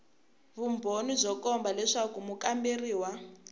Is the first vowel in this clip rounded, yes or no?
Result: yes